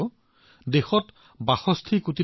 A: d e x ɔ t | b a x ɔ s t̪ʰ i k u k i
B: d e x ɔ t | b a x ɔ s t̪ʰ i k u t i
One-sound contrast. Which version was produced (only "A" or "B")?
B